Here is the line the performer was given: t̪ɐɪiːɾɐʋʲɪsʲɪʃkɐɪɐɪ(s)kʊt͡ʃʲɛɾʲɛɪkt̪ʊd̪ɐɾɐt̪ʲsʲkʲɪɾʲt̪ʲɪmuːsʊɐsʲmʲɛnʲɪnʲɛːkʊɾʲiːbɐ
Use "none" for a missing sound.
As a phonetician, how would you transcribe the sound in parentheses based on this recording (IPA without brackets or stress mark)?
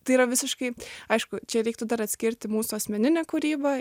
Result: ʃ